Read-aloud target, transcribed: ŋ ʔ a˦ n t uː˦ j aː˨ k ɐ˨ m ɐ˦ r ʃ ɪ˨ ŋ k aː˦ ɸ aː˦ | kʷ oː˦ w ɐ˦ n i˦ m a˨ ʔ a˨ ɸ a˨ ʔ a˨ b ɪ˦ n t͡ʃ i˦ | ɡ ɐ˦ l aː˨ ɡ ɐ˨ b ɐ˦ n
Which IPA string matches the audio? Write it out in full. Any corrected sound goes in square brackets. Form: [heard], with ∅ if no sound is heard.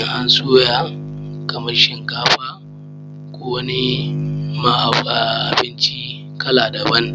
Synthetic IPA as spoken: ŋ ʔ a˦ n [s] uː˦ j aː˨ k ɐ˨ m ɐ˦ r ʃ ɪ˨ ŋ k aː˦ ɸ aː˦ | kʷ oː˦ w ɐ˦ n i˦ m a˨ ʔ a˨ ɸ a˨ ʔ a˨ b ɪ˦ n t͡ʃ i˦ | [k] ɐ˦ l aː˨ [d] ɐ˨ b ɐ˦ n